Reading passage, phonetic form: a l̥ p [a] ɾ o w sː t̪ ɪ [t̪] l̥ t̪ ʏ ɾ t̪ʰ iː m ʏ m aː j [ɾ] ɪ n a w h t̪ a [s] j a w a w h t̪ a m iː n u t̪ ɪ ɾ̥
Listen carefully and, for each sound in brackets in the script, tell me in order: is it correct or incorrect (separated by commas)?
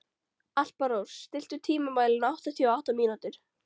correct, incorrect, incorrect, incorrect